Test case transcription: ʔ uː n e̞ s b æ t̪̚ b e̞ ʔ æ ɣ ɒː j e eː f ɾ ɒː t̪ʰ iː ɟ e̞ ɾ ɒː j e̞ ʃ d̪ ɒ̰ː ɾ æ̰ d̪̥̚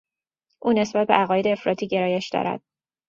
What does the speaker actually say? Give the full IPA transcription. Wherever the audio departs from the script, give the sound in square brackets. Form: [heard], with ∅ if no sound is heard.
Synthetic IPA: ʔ uː n e̞ s b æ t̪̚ b e̞ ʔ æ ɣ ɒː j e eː f ɾ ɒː t̪ʰ iː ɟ e̞ ɾ ɒː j e̞ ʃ d̪ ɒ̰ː ɾ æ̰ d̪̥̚